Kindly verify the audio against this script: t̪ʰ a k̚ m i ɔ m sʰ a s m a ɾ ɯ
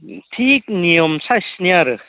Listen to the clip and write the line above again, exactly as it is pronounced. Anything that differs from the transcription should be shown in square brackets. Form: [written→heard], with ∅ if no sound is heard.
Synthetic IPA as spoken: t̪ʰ [a→i] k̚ [m→n] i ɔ m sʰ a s [m→n] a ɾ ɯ